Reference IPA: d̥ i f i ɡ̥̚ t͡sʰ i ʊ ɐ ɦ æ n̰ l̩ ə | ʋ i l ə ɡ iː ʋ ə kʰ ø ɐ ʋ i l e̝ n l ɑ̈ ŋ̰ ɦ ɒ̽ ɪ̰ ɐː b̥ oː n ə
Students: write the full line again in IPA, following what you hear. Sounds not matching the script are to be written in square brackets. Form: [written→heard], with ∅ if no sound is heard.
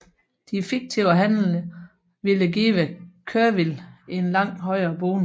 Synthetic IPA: d̥ i f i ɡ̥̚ t͡sʰ i ʊ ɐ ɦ æ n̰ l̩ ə | ʋ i l ə ɡ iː ʋ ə kʰ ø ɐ ʋ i l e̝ n l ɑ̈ ŋ̰ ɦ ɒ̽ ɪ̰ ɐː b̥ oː n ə